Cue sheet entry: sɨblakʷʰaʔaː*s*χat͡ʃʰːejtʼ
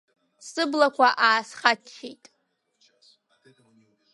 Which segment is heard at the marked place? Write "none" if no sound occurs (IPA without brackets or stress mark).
s